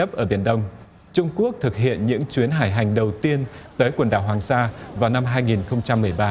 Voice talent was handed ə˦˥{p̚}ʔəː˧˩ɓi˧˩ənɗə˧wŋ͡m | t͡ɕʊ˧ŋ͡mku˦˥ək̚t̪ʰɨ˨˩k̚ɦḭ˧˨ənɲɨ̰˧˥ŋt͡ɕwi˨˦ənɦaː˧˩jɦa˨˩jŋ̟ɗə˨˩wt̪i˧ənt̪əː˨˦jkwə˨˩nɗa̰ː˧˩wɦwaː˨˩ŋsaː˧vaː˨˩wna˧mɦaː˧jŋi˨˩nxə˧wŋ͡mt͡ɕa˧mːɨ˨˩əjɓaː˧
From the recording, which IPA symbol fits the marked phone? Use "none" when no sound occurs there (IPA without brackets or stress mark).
p̚